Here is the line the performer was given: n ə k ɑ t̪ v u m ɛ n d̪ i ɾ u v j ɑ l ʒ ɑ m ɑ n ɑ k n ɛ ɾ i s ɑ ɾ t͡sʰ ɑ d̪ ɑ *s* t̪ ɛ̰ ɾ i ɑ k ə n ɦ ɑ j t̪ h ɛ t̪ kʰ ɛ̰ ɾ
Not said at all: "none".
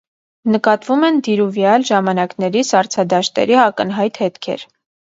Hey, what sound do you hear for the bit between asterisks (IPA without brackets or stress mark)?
ʃ